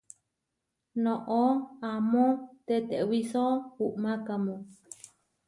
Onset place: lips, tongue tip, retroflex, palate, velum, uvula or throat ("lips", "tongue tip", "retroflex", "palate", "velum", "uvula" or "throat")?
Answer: tongue tip